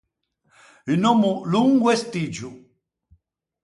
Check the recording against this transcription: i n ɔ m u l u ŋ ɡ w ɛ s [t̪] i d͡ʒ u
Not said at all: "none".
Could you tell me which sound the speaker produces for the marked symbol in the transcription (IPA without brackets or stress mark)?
t̪